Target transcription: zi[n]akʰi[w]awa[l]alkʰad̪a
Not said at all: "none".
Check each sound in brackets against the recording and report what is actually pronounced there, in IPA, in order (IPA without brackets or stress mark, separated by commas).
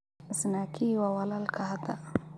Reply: n, w, l